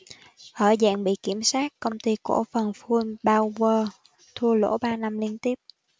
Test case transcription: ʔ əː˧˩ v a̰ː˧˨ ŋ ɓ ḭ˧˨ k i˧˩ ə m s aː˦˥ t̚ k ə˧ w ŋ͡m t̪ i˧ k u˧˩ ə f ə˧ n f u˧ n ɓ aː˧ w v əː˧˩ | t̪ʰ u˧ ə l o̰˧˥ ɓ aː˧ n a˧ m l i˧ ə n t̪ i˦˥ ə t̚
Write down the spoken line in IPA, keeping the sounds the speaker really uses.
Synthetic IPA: ʔ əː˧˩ z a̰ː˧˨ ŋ ɓ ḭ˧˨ k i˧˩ ə m s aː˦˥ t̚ k ə˧ w ŋ͡m t̪ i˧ k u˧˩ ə f ə˨˩ n f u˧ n ɓ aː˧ w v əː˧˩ | t̪ʰ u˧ ə l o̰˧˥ ɓ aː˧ n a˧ m l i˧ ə n t̪ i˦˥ ə p̚